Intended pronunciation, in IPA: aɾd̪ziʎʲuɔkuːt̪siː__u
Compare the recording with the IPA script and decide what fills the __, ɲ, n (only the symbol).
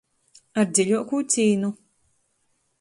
n